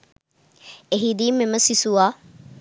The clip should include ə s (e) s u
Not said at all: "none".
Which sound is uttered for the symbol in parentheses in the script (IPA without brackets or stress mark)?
i